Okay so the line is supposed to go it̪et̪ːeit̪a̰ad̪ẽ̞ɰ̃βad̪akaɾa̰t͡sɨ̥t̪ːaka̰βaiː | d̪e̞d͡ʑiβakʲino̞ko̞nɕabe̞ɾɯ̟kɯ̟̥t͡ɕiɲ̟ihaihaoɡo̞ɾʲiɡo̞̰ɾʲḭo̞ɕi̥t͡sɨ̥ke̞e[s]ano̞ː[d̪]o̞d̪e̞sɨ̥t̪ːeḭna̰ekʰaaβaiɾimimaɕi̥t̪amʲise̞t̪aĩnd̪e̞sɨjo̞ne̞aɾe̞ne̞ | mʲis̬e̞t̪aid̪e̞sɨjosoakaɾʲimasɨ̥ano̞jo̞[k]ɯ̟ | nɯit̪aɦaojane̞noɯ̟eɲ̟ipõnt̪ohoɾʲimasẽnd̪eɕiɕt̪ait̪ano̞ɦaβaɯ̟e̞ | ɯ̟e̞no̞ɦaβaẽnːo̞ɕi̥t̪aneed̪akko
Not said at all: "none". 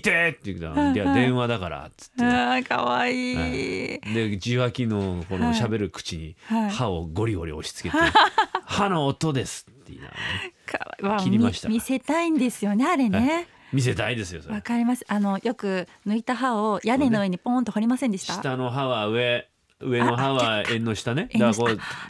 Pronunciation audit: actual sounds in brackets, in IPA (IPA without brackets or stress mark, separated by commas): h, t̪, k